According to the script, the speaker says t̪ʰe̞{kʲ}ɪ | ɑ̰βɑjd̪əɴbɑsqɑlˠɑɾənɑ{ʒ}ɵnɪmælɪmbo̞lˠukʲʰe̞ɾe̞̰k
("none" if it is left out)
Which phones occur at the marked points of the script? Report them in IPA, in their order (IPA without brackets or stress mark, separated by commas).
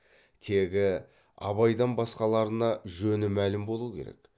ɡʲ, ʒ